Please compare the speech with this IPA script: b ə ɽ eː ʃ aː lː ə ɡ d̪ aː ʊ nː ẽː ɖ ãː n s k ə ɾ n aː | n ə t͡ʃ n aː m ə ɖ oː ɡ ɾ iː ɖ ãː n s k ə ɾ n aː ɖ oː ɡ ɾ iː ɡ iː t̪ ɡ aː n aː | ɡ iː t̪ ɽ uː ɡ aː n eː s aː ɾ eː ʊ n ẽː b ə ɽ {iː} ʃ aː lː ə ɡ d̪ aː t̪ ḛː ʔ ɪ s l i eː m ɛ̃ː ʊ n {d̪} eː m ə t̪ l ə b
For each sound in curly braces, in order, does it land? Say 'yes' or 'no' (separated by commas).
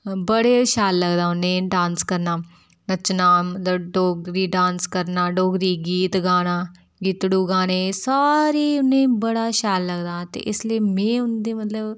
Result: no, yes